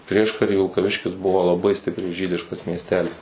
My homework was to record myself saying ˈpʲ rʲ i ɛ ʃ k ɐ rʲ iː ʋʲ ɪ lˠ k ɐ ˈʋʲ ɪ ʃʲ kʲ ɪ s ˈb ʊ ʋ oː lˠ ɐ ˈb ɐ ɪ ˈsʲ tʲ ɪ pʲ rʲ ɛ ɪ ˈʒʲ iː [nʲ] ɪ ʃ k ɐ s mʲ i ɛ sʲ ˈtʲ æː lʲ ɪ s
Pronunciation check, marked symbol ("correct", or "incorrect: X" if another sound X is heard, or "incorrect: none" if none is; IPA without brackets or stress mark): incorrect: dʲ